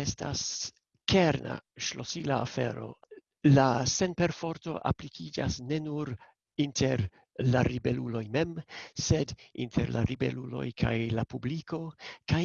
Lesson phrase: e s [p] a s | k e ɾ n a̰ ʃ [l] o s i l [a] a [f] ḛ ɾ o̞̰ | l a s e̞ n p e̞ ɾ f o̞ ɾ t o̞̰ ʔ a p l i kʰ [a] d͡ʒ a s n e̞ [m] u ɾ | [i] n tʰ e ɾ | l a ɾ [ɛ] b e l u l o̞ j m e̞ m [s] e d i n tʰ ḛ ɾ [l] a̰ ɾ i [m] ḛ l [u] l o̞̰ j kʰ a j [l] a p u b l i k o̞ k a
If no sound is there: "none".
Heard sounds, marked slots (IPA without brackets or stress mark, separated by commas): t, l, a, f, i, n, i, i, s, l, b, u, l